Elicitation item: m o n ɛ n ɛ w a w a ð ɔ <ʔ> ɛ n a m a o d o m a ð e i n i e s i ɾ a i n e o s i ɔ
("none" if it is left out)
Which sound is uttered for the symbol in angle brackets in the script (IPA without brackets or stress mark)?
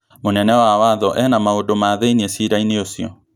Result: ʔ